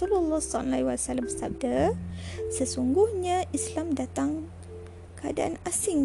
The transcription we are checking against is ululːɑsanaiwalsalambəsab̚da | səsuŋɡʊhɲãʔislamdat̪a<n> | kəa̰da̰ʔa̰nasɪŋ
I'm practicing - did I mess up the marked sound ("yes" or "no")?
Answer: yes